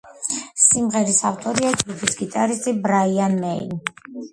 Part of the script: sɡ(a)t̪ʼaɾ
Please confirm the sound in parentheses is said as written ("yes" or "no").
no